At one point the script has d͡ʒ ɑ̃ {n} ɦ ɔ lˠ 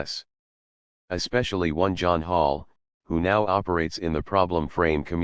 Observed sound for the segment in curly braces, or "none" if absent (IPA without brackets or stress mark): n